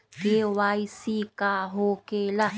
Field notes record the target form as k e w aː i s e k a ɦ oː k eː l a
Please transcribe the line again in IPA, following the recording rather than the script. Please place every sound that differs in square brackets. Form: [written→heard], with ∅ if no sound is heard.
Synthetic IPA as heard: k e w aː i s [e→i] k a ɦ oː k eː l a